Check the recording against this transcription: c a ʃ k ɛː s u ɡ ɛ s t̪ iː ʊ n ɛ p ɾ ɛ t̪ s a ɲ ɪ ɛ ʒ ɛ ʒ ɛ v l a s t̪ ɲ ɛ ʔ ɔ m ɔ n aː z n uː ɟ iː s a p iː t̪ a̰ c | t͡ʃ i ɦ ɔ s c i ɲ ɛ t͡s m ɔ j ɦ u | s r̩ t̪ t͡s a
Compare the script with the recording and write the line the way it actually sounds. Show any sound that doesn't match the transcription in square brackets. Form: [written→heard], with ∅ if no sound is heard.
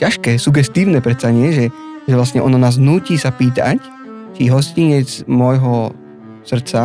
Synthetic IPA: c a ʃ k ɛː s u ɡ ɛ s t̪ iː ʊ n ɛ p ɾ ɛ t̪ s a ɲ ɪ ɛ ʒ ɛ ʒ ɛ [v→ʋ] l a s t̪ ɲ ɛ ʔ ɔ [m→n] ɔ n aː z n uː [ɟ→c] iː s a p iː t̪ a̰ c | t͡ʃ i ɦ ɔ s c i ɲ ɛ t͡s m ɔ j ɦ [u→ɔ] | s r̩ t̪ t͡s a